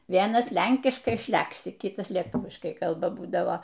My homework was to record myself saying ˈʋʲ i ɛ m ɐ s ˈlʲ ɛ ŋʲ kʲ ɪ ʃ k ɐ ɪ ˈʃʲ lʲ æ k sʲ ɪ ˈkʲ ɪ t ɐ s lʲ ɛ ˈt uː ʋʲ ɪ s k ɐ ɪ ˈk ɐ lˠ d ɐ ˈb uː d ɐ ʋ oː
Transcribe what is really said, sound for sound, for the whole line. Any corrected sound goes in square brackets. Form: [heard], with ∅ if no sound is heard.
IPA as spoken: ˈʋʲ i ɛ [n] ɐ s ˈlʲ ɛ ŋʲ kʲ ɪ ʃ k ɐ ɪ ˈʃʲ lʲ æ k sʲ ɪ ˈkʲ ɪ t ɐ s lʲ ɛ ˈt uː ʋʲ ɪ [ʃ] k ɐ ɪ ˈk ɐ lˠ [b] ɐ ˈb uː d ɐ ʋ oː